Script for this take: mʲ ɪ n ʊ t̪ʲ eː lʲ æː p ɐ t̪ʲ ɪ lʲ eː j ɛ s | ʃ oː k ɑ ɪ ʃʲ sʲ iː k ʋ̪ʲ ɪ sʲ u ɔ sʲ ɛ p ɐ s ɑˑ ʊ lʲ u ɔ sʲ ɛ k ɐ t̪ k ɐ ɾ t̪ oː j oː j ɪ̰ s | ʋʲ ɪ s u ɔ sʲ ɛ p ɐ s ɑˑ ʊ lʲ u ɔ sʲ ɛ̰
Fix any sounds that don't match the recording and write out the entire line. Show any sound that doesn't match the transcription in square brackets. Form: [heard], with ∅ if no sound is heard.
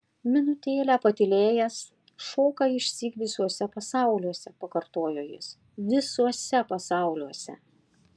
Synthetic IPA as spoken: mʲ ɪ n ʊ t̪ʲ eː lʲ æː p ɐ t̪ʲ ɪ lʲ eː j ɛ s | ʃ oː k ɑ ɪ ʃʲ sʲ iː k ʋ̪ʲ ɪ sʲ u ɔ sʲ ɛ p ɐ s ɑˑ ʊ lʲ u ɔ sʲ ɛ [p] ɐ [∅] k ɐ ɾ t̪ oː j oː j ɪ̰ s | ʋʲ ɪ s u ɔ sʲ ɛ p ɐ s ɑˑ ʊ lʲ u ɔ sʲ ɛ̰